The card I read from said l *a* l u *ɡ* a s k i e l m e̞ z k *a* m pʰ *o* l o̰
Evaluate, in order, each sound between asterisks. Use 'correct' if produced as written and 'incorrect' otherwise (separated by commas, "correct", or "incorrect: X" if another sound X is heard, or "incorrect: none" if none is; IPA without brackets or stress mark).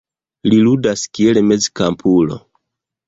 incorrect: i, incorrect: d, correct, incorrect: u